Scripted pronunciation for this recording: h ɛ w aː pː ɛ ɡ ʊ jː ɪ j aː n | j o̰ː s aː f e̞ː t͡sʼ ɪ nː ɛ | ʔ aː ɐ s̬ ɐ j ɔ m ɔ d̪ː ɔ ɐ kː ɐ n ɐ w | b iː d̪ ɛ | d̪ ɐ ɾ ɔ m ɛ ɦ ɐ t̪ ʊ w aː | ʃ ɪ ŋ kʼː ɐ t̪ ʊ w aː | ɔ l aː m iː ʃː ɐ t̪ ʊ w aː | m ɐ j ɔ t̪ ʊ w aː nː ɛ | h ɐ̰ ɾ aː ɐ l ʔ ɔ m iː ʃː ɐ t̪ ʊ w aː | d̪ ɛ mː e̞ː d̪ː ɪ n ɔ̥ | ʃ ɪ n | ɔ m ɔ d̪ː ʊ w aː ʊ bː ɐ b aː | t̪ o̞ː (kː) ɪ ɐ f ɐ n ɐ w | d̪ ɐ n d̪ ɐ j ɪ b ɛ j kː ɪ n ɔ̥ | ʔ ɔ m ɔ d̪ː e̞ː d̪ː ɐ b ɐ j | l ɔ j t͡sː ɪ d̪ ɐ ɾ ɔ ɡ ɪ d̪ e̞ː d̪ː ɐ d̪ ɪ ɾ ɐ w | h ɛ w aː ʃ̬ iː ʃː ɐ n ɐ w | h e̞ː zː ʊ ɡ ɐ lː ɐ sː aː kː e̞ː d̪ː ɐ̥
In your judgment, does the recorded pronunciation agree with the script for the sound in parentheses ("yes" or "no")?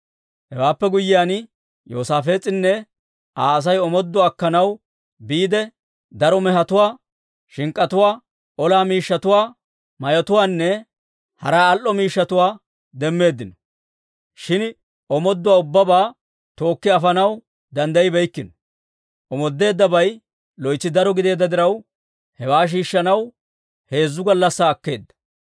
yes